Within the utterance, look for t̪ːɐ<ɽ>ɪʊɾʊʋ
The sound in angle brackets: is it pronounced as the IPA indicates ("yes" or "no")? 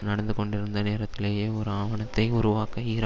no